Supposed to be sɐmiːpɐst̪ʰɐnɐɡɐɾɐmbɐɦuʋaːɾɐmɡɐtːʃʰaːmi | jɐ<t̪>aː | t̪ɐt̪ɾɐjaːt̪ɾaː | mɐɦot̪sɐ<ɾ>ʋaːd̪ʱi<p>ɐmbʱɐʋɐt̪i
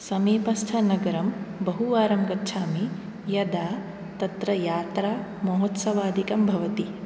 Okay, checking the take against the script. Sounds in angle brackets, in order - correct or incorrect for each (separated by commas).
incorrect, incorrect, incorrect